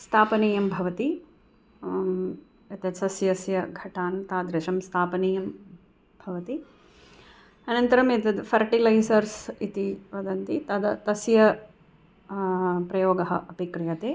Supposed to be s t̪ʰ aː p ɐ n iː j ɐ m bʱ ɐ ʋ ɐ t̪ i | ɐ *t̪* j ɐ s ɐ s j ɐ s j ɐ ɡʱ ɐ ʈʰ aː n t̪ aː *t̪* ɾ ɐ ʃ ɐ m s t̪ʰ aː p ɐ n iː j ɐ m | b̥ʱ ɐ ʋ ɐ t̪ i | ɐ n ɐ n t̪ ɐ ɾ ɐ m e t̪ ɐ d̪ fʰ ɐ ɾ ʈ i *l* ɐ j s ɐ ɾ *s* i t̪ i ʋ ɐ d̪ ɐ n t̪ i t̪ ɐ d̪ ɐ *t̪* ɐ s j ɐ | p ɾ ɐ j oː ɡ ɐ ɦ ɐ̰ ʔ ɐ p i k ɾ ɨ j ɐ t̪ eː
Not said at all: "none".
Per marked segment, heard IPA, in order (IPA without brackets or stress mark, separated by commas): t̪, d̪, l, s, t̪